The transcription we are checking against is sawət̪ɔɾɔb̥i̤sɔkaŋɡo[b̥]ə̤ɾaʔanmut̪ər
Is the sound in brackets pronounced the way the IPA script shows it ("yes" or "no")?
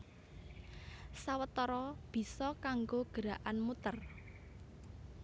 no